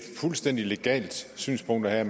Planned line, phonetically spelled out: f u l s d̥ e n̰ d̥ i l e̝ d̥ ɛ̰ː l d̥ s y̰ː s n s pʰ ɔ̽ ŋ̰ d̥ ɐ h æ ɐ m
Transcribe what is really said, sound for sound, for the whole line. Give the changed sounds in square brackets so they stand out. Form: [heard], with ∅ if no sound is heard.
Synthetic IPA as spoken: f u l s d̥ e n̰ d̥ i l e̝ [ɡ̥] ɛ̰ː l d̥ s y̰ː [∅] n s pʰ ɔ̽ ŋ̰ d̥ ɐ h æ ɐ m